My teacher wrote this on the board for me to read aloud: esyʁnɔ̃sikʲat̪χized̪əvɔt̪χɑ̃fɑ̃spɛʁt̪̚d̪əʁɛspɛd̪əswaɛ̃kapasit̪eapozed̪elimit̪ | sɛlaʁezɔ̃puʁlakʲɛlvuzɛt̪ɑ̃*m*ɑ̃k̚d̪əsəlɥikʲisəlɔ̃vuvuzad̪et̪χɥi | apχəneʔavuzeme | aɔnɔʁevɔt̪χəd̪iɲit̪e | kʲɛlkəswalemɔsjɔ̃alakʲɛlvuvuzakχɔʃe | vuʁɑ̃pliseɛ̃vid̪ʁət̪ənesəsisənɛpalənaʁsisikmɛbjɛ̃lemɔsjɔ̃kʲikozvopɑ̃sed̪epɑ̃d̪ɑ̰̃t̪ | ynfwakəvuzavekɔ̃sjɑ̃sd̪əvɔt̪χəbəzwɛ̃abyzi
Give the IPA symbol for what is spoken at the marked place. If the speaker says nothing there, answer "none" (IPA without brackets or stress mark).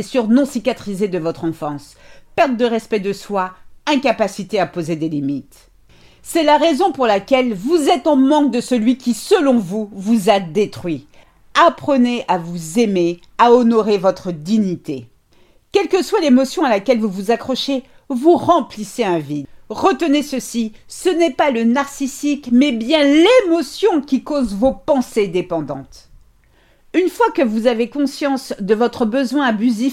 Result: m